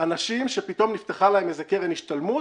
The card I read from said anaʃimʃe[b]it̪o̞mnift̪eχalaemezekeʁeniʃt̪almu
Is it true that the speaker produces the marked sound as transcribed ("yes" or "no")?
no